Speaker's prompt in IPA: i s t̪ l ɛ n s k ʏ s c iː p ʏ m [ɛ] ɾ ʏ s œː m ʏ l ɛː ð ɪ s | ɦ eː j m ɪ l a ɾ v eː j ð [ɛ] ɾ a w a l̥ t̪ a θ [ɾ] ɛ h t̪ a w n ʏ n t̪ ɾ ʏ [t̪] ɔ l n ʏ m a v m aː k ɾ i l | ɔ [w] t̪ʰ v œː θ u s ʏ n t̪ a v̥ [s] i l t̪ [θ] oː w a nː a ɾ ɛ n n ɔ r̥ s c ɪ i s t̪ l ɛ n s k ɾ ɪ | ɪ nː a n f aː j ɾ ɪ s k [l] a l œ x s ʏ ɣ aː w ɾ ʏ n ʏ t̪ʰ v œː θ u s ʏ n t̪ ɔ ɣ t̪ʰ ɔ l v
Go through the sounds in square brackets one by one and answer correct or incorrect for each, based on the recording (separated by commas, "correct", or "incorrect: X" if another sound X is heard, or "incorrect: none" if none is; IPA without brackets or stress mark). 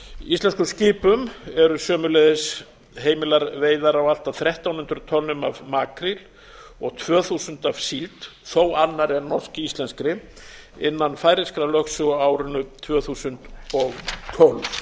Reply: correct, incorrect: a, correct, incorrect: t̪ʰ, incorrect: ɣ, correct, correct, incorrect: ɾ